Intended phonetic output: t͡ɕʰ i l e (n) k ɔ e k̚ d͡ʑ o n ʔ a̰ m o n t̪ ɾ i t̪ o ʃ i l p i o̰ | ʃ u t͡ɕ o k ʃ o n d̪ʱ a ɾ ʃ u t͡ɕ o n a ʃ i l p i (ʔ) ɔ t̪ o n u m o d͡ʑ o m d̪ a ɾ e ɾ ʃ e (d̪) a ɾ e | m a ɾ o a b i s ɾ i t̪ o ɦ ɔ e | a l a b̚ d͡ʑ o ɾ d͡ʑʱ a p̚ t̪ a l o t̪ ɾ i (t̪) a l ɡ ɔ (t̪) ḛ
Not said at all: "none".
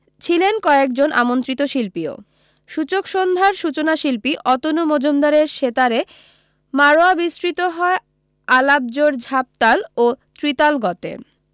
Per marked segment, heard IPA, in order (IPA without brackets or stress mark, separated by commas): n, ʔ, t̪, t̪, t̪